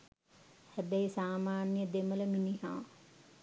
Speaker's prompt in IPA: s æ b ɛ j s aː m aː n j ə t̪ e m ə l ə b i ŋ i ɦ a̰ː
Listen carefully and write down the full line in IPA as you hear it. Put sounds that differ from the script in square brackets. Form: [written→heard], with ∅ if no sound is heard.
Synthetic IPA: [s→h] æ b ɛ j s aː m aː n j ə [t̪→d̪] e m ə l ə [b→m] i [ŋ→n] i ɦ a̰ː